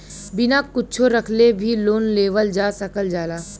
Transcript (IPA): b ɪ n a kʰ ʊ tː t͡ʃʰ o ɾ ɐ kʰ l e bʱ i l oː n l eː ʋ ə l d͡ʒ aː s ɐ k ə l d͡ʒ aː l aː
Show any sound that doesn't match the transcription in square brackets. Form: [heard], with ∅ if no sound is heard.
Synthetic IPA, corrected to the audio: b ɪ n a [k] ʊ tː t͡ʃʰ o ɾ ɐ kʰ l e bʱ i l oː n l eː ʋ ə l d͡ʒ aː s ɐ k ə l d͡ʒ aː l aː